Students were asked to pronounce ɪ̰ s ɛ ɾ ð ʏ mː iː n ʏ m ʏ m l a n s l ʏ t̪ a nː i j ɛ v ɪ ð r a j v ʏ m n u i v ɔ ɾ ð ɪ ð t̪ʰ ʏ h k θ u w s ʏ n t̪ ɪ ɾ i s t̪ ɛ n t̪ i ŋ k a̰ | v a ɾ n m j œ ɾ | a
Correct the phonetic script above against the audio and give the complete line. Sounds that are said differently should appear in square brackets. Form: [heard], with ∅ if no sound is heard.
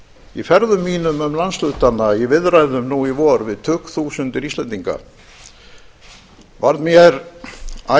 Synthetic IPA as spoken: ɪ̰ [f] ɛ ɾ ð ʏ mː iː n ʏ m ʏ m l a n s l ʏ t̪ a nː [a] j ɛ v ɪ ð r a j [ð] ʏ m n u i v ɔ ɾ [v] ɪ ð t̪ʰ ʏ h k θ u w s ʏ n t̪ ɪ ɾ i s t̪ ɛ n t̪ i ŋ k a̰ | v a ɾ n m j [ɛ] ɾ | a